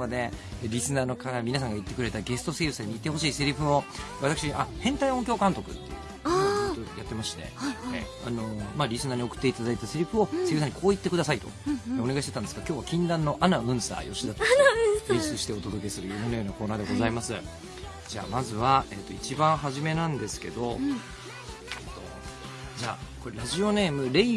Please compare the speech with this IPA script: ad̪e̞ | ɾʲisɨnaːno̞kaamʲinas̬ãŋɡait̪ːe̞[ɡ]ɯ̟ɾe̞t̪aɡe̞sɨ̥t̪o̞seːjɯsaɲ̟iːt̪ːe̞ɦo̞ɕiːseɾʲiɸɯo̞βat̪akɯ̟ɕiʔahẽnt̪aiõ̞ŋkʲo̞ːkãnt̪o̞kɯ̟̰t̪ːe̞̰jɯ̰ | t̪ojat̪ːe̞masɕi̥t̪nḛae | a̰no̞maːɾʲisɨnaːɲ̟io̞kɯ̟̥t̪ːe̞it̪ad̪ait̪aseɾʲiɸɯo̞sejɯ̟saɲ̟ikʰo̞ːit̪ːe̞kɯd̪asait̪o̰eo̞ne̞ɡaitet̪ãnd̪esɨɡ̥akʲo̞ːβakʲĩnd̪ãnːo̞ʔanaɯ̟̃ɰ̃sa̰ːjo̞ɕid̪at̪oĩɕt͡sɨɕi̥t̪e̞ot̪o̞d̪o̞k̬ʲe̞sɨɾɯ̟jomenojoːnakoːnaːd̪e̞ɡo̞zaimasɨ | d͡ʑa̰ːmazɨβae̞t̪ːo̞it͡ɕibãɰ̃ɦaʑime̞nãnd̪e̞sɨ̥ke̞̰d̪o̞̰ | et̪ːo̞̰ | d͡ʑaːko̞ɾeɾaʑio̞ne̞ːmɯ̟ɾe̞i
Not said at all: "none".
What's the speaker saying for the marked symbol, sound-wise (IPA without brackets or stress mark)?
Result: k